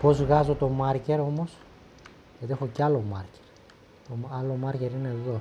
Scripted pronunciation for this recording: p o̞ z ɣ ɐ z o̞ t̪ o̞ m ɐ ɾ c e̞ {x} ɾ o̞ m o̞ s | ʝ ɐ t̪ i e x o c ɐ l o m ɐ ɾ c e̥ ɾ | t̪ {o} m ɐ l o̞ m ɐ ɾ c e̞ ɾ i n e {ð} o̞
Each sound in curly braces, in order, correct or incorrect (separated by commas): incorrect, correct, correct